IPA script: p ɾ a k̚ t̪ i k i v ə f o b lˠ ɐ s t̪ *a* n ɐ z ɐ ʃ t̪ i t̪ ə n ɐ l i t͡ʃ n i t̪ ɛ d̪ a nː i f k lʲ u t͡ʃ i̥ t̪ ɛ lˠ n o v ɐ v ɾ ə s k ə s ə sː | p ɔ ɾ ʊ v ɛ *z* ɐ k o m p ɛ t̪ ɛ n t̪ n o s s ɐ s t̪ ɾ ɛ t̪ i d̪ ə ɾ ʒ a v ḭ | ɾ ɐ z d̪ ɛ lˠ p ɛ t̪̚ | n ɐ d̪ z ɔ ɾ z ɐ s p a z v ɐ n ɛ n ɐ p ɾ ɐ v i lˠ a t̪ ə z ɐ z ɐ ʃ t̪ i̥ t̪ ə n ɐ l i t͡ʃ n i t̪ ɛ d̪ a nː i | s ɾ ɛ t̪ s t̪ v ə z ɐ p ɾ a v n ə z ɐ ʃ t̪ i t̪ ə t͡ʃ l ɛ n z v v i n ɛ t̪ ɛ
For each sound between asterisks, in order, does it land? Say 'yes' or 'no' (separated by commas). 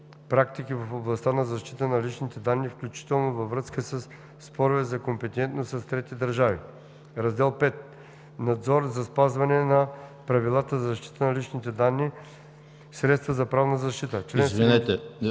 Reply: yes, yes